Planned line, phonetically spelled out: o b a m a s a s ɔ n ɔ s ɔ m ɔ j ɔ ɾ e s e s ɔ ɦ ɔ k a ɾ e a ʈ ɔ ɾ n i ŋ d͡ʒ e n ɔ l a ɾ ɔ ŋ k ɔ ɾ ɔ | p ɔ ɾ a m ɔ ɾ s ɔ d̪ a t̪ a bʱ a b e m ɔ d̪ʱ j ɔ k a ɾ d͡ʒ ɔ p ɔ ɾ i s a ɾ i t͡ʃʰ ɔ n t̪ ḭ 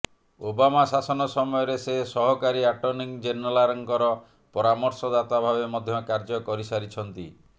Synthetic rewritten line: o b a m a s a s ɔ n ɔ s ɔ m ɔ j ɔ ɾ e s e s ɔ ɦ ɔ k a ɾ i a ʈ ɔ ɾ n i ŋ d͡ʒ e n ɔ l a ɾ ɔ ŋ k ɔ ɾ ɔ | p ɔ ɾ a m ɔ ɾ s ɔ d̪ a t̪ a bʱ a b e m ɔ d̪ʱ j ɔ k a ɾ d͡ʒ ɔ k ɔ ɾ i s a ɾ i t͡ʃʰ ɔ n t̪ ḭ